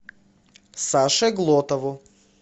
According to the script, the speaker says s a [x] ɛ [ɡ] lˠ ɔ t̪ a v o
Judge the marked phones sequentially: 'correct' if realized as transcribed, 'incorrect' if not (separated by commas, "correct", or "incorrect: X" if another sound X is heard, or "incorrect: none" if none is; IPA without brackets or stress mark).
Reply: incorrect: ʃ, correct